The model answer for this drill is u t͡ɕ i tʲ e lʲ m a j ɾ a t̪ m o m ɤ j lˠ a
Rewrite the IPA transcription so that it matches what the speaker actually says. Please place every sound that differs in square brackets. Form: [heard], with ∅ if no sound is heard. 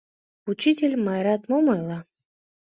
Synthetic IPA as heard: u t͡ɕ i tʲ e lʲ m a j ɾ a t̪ m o m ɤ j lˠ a